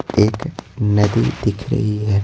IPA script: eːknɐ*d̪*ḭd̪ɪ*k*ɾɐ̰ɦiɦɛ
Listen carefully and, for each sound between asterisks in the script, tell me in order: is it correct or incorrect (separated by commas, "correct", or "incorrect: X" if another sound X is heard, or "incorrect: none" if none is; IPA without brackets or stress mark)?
correct, incorrect: kʰ